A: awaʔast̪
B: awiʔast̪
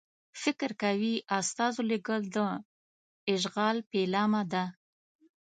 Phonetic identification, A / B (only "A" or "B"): B